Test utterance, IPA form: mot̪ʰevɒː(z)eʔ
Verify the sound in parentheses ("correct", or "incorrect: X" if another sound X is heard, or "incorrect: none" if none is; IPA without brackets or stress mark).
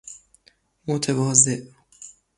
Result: correct